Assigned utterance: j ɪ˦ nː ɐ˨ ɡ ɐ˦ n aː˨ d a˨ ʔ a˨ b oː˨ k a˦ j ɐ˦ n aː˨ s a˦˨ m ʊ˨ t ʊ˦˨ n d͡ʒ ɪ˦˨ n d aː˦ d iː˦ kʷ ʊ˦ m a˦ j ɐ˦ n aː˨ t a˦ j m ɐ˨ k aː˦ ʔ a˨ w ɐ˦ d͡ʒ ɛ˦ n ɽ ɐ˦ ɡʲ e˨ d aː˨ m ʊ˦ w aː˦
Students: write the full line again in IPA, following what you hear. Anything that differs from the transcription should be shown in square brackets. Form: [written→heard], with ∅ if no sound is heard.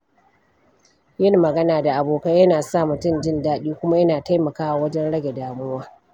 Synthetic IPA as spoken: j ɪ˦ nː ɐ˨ ɡ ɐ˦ n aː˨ d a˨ ʔ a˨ b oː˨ k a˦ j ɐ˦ n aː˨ s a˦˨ m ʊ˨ t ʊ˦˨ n d͡ʒ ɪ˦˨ n d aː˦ [d→ɗ] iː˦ kʷ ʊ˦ m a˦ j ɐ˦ n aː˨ t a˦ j m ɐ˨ k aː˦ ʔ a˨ w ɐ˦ d͡ʒ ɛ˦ n ɽ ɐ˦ ɡʲ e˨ d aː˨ m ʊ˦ w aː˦

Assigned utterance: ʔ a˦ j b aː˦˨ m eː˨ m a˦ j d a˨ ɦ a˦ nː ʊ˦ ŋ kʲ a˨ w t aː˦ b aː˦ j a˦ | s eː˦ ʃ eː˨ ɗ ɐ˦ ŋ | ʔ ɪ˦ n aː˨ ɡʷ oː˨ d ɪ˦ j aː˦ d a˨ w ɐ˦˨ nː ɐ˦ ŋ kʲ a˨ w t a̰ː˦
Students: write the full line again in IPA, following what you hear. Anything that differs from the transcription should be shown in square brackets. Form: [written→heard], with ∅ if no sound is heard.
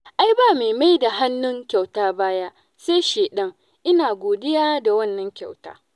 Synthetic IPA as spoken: ʔ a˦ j b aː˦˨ m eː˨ m a˦ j d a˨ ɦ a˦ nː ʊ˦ ŋ kʲ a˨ w t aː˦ b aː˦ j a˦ | s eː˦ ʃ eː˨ ɗ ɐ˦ ŋ | ʔ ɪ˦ n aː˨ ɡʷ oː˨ d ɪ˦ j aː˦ d a˨ w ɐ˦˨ nː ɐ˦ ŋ kʲ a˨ w t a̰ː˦

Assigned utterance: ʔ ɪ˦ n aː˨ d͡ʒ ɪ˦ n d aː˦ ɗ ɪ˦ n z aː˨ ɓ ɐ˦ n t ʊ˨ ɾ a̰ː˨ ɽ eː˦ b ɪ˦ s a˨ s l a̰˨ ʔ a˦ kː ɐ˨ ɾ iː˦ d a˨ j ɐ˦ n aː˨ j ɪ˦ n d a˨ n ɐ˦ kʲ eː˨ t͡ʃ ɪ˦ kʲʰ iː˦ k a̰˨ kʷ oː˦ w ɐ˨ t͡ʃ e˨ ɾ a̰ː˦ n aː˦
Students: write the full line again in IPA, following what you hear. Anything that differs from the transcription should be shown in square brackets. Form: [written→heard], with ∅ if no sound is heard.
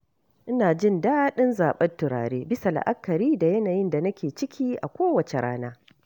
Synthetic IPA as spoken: ʔ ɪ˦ n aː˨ d͡ʒ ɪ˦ n d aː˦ ɗ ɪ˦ n z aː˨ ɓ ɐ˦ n t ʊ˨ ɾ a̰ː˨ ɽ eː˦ b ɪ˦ s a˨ [s→∅] l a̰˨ ʔ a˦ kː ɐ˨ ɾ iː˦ d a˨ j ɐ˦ n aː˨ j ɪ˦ n d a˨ n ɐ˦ kʲ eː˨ t͡ʃ ɪ˦ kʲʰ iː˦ [k→ʔ] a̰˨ kʷ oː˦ w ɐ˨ t͡ʃ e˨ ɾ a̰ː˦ n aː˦

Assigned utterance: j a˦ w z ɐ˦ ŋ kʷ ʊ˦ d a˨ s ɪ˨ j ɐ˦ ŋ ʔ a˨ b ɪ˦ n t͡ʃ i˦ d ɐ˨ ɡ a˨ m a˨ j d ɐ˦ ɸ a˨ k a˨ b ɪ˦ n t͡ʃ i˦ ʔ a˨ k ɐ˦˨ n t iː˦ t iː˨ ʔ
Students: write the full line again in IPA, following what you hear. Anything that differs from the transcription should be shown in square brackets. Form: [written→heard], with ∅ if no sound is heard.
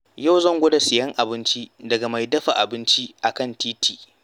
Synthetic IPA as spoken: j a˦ w z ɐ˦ ŋ [kʷ→ɡʷ] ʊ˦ d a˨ s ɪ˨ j ɐ˦ ŋ ʔ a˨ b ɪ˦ n t͡ʃ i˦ d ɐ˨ ɡ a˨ m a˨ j d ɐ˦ ɸ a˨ [k→ʔ] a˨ b ɪ˦ n t͡ʃ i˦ ʔ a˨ k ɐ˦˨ n t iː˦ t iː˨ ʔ

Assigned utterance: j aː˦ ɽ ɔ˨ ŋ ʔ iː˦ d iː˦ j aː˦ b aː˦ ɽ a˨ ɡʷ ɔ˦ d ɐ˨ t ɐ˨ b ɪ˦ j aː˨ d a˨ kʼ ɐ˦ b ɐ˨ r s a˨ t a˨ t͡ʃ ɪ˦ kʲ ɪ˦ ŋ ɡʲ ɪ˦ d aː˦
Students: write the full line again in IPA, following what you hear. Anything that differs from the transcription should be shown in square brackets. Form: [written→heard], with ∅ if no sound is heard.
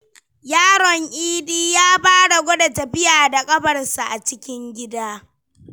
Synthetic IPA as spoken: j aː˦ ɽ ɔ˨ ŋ ʔ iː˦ d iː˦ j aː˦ b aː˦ ɽ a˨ ɡʷ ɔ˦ d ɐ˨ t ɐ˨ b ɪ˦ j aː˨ d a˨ kʼ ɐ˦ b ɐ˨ r s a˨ [t→ʔ] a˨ t͡ʃ ɪ˦ kʲ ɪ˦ ŋ ɡʲ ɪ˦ d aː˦

